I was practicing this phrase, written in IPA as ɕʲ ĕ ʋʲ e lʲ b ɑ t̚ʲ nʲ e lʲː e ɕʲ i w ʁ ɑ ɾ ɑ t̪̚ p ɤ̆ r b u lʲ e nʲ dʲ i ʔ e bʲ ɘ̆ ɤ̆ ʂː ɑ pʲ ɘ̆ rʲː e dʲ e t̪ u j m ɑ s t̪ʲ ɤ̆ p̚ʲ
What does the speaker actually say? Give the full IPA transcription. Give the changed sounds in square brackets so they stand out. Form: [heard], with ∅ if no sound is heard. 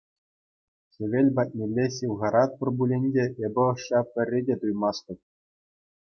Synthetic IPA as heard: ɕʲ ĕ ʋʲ e lʲ b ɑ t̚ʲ nʲ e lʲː e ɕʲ i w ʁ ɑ ɾ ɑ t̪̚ p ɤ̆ r b u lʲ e nʲ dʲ [e] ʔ e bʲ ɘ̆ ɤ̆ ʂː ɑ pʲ ɘ̆ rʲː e dʲ e t̪ u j m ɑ s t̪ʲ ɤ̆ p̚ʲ